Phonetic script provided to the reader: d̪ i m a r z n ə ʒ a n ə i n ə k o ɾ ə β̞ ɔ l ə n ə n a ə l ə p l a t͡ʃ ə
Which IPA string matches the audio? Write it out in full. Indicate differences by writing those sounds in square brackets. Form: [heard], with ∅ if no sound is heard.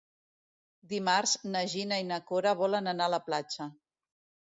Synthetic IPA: d̪ i m a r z n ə ʒ [i] n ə i n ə k o ɾ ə β̞ ɔ l ə n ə n a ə l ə p l a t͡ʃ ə